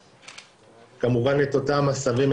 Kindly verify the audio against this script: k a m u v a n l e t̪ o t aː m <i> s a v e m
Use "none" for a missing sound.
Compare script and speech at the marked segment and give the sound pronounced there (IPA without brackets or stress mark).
a